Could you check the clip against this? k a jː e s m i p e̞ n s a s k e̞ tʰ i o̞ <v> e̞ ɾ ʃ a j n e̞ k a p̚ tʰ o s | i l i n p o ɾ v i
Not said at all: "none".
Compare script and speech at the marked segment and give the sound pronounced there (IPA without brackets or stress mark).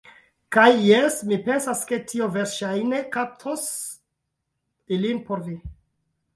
v